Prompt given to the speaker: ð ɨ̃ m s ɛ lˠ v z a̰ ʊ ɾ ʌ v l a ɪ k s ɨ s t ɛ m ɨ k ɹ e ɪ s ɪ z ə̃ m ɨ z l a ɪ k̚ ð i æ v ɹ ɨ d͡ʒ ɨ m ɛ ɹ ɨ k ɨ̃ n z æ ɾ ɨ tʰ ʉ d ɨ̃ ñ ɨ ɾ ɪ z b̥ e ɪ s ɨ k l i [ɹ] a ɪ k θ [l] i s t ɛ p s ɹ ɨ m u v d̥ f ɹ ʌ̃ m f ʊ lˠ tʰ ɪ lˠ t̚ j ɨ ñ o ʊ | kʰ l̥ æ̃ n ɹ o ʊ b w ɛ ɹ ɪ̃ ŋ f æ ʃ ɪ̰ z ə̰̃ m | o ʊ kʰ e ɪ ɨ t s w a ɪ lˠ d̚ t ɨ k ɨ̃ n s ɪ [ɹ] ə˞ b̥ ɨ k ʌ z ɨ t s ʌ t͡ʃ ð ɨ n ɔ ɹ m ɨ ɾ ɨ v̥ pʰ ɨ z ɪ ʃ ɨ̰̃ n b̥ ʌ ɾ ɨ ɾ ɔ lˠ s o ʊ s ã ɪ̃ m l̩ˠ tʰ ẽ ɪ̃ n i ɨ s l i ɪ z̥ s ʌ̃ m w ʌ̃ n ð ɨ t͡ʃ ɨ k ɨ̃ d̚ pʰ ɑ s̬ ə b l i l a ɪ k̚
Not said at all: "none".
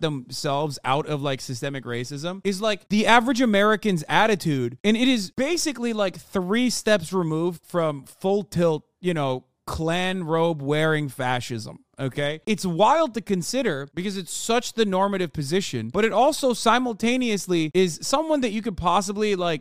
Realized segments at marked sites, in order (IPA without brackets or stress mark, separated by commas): l, ɹ, ɾ